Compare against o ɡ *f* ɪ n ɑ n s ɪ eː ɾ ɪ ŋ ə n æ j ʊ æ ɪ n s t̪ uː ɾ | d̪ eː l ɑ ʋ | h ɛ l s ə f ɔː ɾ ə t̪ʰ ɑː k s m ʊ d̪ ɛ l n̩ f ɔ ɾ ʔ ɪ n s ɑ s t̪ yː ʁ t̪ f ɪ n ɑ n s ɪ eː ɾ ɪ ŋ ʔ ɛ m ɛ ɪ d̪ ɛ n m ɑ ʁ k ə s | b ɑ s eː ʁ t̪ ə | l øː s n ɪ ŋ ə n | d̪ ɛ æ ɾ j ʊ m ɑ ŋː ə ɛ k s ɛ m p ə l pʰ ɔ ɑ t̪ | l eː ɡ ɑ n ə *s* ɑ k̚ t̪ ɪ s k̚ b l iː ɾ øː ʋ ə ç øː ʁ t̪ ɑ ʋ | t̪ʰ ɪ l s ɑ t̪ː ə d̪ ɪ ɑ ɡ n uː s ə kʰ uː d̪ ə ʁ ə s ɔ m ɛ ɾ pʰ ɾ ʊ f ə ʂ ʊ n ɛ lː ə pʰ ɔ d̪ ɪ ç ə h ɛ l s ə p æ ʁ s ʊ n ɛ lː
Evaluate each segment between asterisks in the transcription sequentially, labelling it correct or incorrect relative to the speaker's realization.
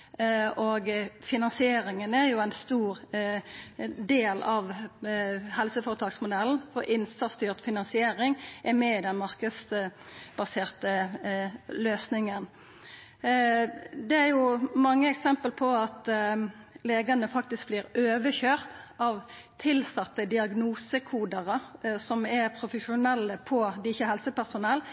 correct, incorrect: f

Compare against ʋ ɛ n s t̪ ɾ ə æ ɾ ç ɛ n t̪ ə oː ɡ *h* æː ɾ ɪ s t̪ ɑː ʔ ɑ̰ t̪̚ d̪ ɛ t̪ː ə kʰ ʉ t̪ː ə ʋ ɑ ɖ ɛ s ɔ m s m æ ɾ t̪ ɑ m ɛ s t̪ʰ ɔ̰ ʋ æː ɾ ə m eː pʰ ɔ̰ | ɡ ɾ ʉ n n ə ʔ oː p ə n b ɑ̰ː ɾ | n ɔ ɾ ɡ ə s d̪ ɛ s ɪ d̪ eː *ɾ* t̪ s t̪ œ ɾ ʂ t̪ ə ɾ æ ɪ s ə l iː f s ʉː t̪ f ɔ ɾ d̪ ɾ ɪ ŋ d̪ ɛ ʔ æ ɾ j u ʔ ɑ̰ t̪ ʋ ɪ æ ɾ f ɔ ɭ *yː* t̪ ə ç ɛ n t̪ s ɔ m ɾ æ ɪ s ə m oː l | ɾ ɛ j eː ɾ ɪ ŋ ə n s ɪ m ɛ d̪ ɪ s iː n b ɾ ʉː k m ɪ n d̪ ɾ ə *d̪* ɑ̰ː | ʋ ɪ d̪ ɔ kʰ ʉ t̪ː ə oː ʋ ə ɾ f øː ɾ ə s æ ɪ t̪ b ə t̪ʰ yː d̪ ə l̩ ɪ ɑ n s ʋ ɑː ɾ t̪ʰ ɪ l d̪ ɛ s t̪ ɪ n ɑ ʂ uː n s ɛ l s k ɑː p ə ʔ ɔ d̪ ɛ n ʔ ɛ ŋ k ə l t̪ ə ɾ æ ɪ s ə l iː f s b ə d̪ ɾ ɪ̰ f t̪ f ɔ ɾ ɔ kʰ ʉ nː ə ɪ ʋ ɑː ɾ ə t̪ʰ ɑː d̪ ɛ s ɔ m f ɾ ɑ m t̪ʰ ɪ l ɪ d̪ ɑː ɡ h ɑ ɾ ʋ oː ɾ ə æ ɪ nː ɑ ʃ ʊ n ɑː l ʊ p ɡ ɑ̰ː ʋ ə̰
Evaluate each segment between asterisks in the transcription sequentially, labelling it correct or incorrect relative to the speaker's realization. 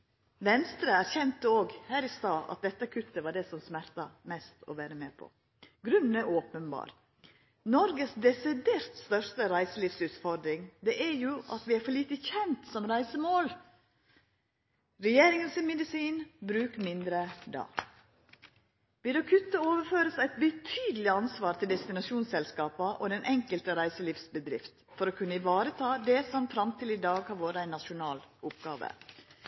correct, correct, incorrect: iː, correct

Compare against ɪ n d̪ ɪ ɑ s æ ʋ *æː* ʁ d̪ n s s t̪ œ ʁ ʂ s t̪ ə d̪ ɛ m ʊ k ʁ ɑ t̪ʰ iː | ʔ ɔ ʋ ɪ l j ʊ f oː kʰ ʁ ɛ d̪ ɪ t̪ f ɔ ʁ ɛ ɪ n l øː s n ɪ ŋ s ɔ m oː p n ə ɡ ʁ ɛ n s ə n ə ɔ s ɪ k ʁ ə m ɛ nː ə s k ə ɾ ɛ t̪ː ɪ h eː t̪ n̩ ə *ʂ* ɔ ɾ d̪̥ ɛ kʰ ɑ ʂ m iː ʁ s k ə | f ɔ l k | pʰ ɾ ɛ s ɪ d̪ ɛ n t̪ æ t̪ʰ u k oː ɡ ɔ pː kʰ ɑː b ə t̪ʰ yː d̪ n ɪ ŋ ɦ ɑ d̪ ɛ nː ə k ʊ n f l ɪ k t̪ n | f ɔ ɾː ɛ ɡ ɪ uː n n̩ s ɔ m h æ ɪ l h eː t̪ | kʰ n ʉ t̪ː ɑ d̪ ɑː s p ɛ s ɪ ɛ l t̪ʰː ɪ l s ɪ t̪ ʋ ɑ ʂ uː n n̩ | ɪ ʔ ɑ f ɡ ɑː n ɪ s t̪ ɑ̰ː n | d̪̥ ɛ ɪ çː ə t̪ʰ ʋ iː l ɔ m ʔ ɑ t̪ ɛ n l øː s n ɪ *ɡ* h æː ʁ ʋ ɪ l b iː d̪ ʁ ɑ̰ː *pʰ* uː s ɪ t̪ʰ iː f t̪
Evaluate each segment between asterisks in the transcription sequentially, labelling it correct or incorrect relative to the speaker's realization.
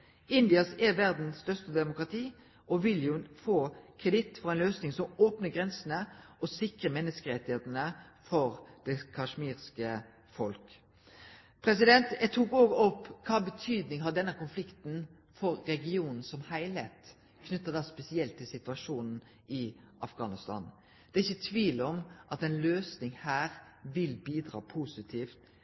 incorrect: æ, incorrect: f, incorrect: ŋ, correct

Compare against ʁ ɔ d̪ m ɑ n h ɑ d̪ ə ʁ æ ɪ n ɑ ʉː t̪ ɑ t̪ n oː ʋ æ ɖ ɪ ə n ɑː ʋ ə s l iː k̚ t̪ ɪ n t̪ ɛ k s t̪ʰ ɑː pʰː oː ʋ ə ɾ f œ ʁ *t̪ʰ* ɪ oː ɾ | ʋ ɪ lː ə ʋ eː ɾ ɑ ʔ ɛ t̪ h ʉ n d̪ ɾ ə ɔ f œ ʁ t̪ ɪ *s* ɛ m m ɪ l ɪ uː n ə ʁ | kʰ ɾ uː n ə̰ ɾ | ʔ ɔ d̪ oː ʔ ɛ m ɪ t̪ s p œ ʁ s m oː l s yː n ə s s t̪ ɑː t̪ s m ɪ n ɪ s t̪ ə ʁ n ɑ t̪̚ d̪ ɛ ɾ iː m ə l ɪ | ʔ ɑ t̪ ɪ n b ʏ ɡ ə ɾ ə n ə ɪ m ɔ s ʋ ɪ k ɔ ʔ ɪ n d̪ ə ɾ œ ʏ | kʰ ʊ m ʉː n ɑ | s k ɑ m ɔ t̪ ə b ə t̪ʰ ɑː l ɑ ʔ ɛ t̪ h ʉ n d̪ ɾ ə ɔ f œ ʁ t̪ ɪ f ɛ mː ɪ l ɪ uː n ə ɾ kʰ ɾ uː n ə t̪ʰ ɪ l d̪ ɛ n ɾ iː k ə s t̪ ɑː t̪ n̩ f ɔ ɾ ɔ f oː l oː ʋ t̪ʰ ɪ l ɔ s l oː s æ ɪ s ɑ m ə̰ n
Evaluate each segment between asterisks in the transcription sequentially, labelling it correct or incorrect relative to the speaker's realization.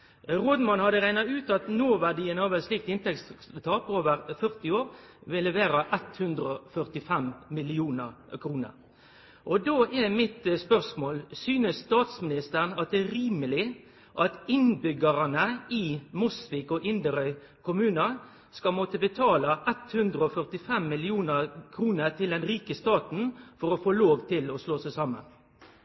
incorrect: t̪, incorrect: f

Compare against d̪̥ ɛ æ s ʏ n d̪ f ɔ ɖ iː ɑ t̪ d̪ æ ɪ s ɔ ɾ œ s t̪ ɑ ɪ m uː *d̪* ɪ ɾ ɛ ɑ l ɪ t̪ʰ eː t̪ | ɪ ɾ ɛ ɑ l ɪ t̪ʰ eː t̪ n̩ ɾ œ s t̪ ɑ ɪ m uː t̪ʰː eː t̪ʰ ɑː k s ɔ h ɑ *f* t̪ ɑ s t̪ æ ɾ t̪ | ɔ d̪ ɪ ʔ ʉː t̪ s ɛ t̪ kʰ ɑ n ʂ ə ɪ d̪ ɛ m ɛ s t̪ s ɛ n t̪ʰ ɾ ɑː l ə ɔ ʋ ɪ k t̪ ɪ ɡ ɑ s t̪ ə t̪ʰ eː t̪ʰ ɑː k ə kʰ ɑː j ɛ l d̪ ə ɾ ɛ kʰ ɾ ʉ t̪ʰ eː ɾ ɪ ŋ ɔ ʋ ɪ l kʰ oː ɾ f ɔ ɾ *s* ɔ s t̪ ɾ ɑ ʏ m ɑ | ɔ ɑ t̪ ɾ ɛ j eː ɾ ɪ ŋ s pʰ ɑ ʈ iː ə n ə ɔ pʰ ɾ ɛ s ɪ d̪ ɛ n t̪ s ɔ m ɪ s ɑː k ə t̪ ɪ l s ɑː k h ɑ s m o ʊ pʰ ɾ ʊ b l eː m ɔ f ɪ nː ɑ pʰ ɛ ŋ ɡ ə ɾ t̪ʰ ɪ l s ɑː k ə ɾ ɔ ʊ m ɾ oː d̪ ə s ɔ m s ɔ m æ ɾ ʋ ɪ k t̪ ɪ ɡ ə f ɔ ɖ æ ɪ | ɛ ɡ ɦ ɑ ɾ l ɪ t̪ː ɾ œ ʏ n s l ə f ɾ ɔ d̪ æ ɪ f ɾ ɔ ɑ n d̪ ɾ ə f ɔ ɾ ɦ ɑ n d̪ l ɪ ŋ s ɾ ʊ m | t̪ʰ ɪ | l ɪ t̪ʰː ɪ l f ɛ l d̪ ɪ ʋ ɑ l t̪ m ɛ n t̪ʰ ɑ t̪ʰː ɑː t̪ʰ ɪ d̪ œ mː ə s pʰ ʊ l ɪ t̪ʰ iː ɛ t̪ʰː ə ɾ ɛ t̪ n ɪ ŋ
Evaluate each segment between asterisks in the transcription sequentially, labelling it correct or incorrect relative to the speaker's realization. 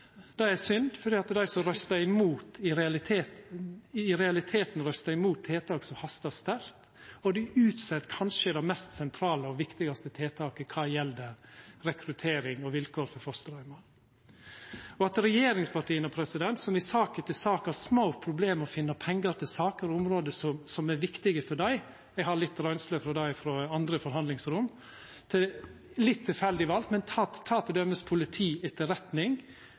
incorrect: t̪, incorrect: s, incorrect: f

